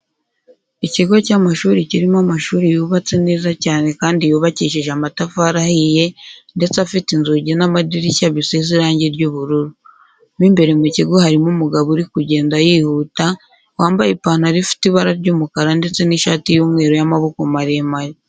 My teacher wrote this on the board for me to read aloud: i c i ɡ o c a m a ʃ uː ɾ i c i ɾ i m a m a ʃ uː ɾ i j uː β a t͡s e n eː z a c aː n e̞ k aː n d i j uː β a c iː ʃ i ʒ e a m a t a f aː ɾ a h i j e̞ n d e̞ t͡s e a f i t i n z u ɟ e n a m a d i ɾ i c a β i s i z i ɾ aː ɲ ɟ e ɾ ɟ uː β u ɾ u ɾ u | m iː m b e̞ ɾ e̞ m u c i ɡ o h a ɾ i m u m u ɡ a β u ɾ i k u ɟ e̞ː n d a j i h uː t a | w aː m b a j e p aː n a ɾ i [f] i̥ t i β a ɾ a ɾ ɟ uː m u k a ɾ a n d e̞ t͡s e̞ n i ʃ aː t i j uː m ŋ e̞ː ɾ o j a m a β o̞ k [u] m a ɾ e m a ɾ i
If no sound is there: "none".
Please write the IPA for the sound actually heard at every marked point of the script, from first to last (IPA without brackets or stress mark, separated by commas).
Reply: f, o